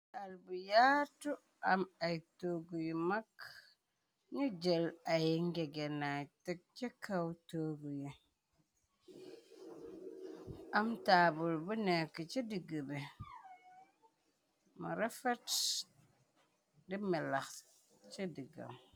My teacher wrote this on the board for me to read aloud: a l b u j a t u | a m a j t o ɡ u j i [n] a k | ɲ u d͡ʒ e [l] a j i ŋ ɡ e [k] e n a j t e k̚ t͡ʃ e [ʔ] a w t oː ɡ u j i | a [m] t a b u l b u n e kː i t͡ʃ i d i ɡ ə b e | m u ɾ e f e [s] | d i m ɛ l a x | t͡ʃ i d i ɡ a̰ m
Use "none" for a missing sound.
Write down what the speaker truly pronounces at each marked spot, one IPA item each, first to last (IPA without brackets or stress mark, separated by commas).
m, l, ɡ, k, m, t